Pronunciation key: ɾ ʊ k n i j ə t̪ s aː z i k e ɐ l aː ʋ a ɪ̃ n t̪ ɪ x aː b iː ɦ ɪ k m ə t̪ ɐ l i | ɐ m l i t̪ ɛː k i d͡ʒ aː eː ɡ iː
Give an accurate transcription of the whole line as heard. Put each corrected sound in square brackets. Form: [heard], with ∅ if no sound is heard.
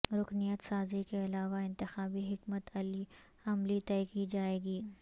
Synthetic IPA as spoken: ɾ ʊ k n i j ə t̪ s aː z i k e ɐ l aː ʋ a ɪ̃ n t̪ ɪ x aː b [i] ɦ ɪ k m ə t̪ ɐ l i | ɐ m l i t̪ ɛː k i d͡ʒ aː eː ɡ iː